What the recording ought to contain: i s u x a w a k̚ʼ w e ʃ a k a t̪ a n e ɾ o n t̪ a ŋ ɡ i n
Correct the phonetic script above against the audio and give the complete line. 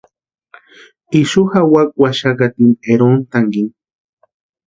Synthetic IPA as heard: i ʃ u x a w a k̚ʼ w a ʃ a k a t̪ i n e ɾ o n t̪ a ŋ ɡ i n